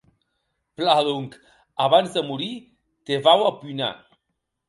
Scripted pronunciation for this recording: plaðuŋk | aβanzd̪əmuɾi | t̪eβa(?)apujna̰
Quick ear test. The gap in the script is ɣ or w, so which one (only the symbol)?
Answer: w